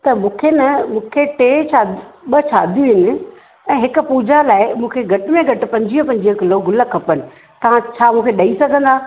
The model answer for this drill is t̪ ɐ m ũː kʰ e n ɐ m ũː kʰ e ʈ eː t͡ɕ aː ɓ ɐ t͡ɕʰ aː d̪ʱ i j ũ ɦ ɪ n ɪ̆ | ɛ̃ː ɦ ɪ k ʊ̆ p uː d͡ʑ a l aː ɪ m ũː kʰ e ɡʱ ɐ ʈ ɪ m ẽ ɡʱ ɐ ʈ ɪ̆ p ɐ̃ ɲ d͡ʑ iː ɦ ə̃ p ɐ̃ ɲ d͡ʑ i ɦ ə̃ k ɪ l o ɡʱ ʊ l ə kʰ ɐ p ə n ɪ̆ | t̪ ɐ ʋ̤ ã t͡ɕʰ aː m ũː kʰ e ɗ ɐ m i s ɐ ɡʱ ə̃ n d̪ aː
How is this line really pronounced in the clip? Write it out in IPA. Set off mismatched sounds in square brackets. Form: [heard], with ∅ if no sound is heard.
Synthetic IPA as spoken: t̪ ɐ m ũː kʰ e n ɐ m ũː kʰ e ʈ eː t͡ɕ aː ɓ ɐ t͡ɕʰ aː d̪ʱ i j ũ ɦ ɪ n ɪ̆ | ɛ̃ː ɦ ɪ k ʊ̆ p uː d͡ʑ a l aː ɪ m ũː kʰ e ɡʱ ɐ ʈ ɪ m ẽ ɡʱ ɐ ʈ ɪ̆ p ɐ̃ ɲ d͡ʑ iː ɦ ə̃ p ɐ̃ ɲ d͡ʑ i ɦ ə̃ k ɪ l o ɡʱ ʊ l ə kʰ ɐ p ə n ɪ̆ | t̪ ɐ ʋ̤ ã t͡ɕʰ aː m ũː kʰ e ɗ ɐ [∅] i s ɐ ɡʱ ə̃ n d̪ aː